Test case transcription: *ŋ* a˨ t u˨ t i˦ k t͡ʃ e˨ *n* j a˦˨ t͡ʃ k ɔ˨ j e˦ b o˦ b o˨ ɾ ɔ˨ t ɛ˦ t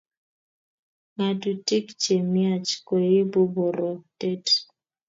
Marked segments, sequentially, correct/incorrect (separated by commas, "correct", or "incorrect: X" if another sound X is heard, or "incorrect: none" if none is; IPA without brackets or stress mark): correct, incorrect: m